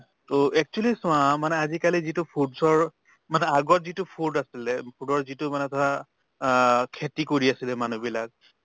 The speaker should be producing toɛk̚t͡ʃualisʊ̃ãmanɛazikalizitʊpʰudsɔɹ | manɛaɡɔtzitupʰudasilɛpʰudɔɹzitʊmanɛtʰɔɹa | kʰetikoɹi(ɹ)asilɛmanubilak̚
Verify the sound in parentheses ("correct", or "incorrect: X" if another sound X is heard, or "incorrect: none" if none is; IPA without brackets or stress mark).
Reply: incorrect: none